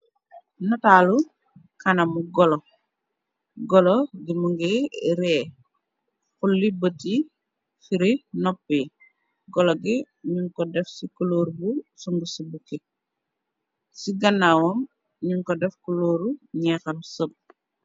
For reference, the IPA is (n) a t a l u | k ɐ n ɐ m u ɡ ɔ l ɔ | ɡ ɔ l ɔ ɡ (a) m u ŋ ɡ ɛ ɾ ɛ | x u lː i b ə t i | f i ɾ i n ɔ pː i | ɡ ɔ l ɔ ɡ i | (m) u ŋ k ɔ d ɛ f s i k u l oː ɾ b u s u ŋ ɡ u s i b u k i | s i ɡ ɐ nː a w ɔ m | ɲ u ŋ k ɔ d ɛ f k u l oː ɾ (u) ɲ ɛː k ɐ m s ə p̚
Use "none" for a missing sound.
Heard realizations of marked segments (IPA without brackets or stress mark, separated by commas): n, i, ɲ, u